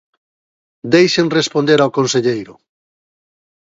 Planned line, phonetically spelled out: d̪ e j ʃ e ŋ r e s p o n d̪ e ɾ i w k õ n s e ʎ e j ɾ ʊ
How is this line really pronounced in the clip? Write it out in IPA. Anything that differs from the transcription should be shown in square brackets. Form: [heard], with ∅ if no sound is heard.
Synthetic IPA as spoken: d̪ e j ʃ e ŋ r e s p o n d̪ e ɾ [a] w k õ n s e ʎ e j ɾ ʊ